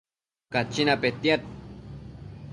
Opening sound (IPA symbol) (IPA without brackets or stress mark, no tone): k